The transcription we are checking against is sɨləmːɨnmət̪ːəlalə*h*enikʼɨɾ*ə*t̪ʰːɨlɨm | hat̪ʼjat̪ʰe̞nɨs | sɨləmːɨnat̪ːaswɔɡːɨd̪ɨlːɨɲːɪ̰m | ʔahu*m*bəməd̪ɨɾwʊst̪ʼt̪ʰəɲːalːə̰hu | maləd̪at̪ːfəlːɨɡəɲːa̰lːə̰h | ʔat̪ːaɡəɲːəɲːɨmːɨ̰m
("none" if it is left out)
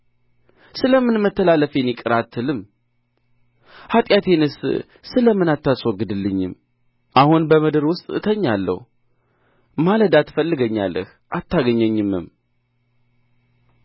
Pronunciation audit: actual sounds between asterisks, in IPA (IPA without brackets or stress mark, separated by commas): f, a, n